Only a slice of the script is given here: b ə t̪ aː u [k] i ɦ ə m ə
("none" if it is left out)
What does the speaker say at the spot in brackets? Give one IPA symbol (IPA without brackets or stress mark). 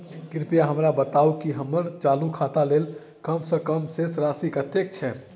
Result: k